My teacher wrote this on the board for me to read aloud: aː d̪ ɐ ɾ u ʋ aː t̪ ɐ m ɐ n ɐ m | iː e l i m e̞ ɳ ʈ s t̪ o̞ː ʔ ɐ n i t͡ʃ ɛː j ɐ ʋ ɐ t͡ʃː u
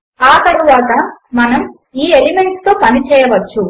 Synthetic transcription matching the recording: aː t̪ ɐ ɾ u ʋ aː t̪ ɐ m ɐ n ɐ m | iː e l i m e̞ ɳ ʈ s t̪ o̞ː p ɐ n i t͡ʃ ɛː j ɐ ʋ ɐ t͡ʃː u